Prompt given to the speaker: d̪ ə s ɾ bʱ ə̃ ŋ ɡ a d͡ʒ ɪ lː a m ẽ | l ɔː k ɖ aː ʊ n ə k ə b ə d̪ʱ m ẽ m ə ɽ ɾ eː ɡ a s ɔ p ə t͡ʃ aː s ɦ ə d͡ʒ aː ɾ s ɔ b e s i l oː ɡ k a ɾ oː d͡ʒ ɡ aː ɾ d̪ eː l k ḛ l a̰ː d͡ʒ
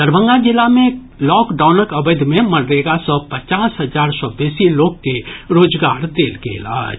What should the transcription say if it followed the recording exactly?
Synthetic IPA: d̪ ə ɾ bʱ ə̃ ŋ ɡ a d͡ʒ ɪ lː a m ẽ | l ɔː k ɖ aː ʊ n ə k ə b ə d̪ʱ m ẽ m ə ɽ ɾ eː ɡ a s ɔ p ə t͡ʃ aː s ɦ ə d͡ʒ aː ɾ s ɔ b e s i l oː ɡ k e ɾ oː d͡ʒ ɡ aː ɾ d̪ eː l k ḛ l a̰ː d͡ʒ

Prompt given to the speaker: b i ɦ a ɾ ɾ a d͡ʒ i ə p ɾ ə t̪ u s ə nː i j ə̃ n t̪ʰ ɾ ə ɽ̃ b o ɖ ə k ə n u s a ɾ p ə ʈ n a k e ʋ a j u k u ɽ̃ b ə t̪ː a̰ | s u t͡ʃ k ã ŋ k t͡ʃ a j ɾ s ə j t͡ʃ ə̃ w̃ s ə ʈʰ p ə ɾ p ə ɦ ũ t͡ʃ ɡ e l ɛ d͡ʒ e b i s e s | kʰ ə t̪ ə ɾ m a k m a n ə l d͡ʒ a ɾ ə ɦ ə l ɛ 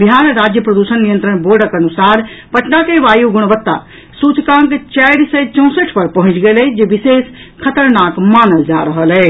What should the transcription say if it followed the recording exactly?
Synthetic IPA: b i ɦ a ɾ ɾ a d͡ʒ j ə p ɾ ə d̪ u s ə nː i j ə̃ n t̪ ɾ ə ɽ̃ b o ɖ ə k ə n u s a ɾ p ə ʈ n a k e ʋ a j u ɡ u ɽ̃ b ə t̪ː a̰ | s u t͡ʃ k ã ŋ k t͡ʃ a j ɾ s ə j t͡ʃ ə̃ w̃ s ə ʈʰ p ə ɾ p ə ɦ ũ t͡ʃ ɡ e l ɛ d͡ʒ e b i s e s | kʰ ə t̪ ə ɾ n a k m a n ə l d͡ʒ a ɾ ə ɦ ə l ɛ

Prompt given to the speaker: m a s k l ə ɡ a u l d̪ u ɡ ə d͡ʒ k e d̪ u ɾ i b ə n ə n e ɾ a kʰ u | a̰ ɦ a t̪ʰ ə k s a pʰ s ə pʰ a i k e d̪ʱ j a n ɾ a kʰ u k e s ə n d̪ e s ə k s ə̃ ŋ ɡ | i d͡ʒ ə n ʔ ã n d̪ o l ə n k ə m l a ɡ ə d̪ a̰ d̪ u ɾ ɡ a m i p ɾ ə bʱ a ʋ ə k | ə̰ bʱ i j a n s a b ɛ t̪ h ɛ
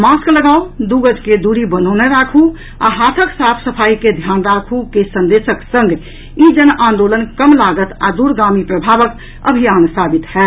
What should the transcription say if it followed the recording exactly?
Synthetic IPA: m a s k l ə ɡ a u d̪ u ɡ ə d͡ʒ k e d̪ u ɾ i b ə n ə n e ɾ a kʰ u | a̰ ɦ a t̪ʰ ə k s a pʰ s ə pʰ a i k e d̪ʱ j a n ɾ a kʰ u k e s ə n d̪ e s ə k s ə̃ ŋ ɡ | i d͡ʒ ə n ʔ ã n d̪ o l ə n k ə m l a ɡ ə t̪ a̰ d̪ u ɾ ɡ a m i p ɾ ə bʱ a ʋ ə k | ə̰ bʱ i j a n s a b i t̪ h ɛ

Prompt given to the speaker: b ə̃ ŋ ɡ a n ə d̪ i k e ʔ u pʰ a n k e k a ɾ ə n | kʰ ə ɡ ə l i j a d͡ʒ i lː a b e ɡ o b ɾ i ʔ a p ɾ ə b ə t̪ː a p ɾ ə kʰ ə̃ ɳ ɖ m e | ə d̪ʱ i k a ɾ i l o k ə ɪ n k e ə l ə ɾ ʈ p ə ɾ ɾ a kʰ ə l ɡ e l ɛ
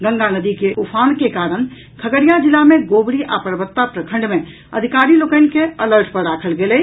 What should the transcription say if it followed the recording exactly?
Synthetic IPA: ɡ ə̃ ŋ ɡ a n ə d̪ i k e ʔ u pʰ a n k e k a ɾ ə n | kʰ ə ɡ ə ɾ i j a d͡ʒ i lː a m e ɡ o b ɾ i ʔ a p ɾ ə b ə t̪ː a p ɾ ə kʰ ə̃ ɳ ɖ m e | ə d̪ʱ i k a ɾ i l o k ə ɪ n k e ə l ə ɾ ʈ p ə ɾ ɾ a kʰ ə l ɡ e l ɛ

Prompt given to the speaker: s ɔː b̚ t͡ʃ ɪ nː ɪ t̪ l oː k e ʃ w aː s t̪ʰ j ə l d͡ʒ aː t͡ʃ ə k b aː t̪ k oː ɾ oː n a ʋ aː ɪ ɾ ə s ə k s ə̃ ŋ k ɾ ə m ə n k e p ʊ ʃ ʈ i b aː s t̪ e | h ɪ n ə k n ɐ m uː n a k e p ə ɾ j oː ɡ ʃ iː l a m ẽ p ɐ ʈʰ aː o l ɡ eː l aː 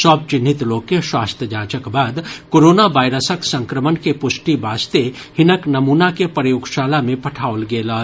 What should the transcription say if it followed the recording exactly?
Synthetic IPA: s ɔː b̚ t͡ʃ ɪ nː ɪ t̪ l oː k e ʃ w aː s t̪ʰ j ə d͡ʒ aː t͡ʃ ə k b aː d̪ k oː ɾ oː n a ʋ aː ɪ ɾ ə s ə k s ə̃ ŋ k ɾ ə m ə n k e p ʊ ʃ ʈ i b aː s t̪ e | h ɪ n ə k n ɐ m uː n a k e p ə ɾ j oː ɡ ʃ aː l a m ẽ p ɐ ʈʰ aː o l ɡ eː l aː

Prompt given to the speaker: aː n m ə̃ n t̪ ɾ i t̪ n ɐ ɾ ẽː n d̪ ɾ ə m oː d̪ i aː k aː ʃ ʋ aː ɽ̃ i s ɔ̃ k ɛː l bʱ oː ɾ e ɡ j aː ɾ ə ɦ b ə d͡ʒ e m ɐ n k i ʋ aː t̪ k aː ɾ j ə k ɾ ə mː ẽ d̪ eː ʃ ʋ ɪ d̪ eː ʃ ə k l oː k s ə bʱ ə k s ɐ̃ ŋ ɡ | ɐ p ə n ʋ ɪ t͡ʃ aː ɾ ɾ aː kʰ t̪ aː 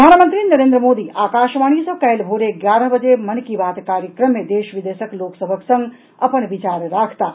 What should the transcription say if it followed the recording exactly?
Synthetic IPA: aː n m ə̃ n t̪ ɾ i n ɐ ɾ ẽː n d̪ ɾ ə m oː d̪ i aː k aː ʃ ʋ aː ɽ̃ i s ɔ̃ k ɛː l bʱ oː ɾ e ɡ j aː ɾ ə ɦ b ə d͡ʒ e m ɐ n k i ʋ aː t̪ k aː ɾ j ə k ɾ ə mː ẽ d̪ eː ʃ ʋ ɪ d̪ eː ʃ ə k l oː k s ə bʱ ə k s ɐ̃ ŋ ɡ | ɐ p ə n ʋ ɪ t͡ʃ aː ɾ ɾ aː kʰ t̪ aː

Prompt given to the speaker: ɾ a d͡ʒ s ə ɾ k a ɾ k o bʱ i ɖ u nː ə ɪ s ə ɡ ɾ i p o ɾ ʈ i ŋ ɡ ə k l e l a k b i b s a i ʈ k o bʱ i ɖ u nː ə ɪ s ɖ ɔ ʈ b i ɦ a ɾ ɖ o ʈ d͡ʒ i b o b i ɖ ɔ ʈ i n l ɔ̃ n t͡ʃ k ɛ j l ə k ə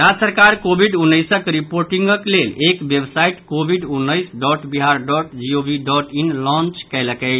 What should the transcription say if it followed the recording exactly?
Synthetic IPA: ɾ a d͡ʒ s ə ɾ k a ɾ k o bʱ i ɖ u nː ə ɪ s ə k ɾ i p o ɾ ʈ i ŋ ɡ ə k l e l e k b e b s a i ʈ k o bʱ i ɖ u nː ə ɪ s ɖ ɔ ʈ b i ɦ a ɾ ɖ ɔ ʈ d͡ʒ i o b i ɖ ɔ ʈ i n l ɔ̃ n t͡ʃ k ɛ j l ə k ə

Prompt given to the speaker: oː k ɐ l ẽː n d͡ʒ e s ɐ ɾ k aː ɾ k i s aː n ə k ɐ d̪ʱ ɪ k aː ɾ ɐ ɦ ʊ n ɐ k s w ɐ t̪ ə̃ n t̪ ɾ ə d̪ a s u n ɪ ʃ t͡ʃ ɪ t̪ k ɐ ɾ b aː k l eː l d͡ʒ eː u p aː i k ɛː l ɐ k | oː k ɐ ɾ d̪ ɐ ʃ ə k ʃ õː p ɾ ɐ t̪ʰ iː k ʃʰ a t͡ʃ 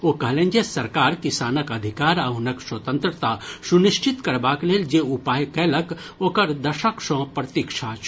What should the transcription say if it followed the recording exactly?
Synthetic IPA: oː k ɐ l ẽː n d͡ʒ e s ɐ ɾ k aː ɾ k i s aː n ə k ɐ d̪ʱ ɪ k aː ɾ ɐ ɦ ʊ n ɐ k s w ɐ t̪ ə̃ n t̪ ɾ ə t̪ a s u n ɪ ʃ t͡ʃ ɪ t̪ k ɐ ɾ b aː k l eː l d͡ʒ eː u p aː j k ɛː l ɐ k | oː k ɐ ɾ d̪ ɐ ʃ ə k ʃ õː p ɾ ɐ t̪ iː k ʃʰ a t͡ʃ

